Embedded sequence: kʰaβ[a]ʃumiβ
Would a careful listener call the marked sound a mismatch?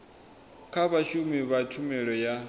no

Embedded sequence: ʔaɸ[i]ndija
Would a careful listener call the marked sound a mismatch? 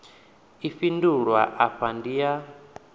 yes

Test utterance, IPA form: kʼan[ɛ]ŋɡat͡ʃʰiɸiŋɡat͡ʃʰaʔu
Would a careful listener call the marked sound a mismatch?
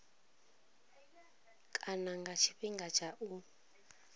yes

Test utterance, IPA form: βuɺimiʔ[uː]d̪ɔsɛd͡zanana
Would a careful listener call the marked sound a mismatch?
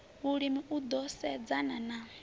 yes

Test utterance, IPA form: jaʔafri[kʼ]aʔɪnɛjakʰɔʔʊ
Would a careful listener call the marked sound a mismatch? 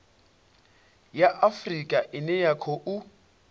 no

